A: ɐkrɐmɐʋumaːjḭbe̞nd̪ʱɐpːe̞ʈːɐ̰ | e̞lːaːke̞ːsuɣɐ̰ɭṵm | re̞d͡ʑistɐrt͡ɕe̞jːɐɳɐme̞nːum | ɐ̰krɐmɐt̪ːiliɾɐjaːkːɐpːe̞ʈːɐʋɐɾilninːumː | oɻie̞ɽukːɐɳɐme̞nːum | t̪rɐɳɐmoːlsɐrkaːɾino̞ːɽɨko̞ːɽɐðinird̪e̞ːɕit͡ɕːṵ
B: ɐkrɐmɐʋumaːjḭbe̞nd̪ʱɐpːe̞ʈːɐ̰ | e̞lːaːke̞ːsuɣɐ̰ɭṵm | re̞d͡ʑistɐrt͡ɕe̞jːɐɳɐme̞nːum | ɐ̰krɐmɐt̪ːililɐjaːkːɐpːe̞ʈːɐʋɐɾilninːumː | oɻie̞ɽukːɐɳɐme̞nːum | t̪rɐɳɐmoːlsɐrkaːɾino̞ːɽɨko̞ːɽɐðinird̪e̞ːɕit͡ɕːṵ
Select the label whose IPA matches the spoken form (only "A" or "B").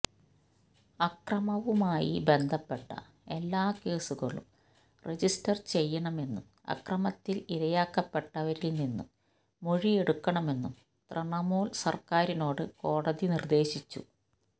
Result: A